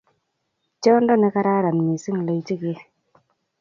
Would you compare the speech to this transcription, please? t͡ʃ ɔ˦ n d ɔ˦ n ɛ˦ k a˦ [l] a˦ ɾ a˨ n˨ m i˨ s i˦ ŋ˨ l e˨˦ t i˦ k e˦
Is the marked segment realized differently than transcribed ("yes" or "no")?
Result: yes